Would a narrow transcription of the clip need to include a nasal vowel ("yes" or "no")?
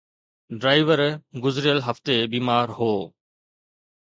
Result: no